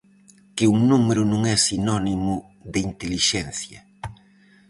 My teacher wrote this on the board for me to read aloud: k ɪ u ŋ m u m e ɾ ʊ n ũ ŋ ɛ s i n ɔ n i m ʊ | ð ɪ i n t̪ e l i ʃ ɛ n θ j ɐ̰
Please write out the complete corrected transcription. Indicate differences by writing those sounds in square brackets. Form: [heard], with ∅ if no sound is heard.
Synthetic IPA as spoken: k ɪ u ŋ [n] u m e ɾ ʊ n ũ ŋ ɛ s i n ɔ n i m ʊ | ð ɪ i n t̪ e l i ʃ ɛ n θ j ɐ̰

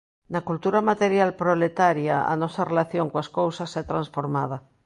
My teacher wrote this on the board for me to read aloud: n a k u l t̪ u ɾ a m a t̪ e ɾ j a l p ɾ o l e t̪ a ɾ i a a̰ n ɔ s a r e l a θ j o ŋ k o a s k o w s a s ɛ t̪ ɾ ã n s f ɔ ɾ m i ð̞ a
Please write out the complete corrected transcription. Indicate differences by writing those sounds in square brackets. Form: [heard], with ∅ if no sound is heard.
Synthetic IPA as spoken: n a k u l t̪ u ɾ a m a t̪ e ɾ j a l p ɾ o l e t̪ a ɾ [j] a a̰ n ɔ s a r e l a θ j o ŋ k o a s k o w s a s ɛ t̪ ɾ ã n s f [o] ɾ m [a] ð̞ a

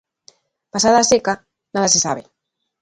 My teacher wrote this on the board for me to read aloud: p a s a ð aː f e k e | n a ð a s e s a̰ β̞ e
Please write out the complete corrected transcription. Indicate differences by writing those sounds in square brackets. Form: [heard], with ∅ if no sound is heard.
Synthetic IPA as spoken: p a s a ð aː [s] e k [a] | n a ð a s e s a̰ β̞ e

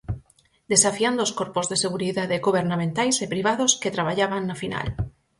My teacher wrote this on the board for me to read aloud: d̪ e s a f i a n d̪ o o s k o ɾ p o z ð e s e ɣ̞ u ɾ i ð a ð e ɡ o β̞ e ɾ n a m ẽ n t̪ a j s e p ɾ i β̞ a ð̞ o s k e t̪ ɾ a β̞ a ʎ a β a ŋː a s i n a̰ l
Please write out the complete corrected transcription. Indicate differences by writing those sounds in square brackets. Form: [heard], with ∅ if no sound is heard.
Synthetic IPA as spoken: d̪ e s a f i a n d̪ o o s k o ɾ p o z ð e s e ɣ̞ u ɾ i ð a ð e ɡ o β̞ e ɾ n a m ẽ n t̪ a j s e p ɾ i β̞ a ð̞ o s k e t̪ ɾ a β̞ a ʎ a β a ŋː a [f] i n a̰ l

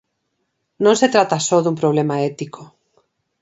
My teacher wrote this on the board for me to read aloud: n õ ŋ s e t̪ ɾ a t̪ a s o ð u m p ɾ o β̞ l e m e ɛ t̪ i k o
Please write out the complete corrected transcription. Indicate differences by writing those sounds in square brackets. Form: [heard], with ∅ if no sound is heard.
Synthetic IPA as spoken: n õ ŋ s e t̪ ɾ a t̪ a s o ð u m p ɾ o β̞ l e m [a] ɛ t̪ i k o

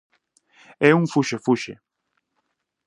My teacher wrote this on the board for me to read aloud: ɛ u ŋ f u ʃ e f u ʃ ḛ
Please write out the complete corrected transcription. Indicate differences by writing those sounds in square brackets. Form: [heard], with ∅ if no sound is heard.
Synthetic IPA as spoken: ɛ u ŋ f u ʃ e f u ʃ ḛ

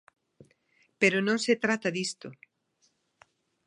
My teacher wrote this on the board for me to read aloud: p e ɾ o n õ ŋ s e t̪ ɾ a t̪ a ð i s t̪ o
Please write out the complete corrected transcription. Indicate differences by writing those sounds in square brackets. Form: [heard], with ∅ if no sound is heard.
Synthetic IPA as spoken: p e ɾ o n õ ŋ s e t̪ ɾ a t̪ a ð i s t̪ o

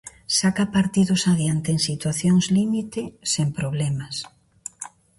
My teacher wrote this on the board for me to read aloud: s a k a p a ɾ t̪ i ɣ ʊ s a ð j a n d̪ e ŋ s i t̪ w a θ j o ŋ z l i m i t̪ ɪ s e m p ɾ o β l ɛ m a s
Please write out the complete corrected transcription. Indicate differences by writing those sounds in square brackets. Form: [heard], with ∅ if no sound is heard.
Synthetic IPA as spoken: s a k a p a ɾ t̪ i [ð] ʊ s a ð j a n [t̪] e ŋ s i t̪ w a θ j o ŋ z l i m i t̪ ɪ s e m p ɾ o β l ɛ m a s

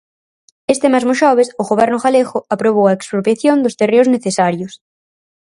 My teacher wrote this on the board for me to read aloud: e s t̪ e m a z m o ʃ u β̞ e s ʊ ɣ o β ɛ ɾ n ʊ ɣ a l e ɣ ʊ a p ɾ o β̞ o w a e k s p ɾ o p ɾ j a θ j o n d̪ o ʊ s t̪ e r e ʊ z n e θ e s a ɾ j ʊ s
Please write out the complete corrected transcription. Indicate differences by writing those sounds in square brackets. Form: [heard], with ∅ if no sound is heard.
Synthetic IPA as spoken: e s t̪ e m a z m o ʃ [ɔ] β̞ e s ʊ ɣ o β ɛ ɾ n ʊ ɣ a l e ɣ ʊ a p ɾ o β̞ o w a e k s p ɾ o p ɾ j a θ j o n d̪ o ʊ s t̪ e r e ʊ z n e θ e s a ɾ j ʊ s

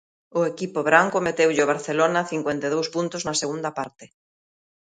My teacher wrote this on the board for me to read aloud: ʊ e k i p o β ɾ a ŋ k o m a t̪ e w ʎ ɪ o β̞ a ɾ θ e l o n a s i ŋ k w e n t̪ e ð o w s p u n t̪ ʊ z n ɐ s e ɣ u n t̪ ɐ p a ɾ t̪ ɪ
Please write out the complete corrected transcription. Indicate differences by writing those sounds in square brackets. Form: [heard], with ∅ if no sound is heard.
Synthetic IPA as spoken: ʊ e k i p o β ɾ a ŋ k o m [e] t̪ e w ʎ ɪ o β̞ a ɾ θ e l o n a [θ] i ŋ k w e n t̪ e ð o w s p u n t̪ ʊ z n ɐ s e ɣ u n [d̪] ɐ p a ɾ t̪ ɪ

